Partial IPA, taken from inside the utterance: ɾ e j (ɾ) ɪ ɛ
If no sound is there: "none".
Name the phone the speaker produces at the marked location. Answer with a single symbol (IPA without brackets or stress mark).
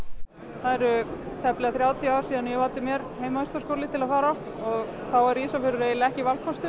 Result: l